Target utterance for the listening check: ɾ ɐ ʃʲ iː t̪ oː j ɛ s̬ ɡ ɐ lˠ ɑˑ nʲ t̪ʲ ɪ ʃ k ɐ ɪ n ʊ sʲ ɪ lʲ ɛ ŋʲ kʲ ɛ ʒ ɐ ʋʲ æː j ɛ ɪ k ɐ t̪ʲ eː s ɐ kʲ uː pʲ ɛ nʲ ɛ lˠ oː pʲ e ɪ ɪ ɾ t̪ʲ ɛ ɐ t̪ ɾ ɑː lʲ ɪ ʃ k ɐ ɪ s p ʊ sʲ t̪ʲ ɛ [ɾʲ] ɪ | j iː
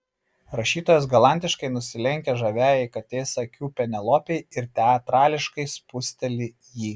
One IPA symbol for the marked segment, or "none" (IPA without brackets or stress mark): lʲ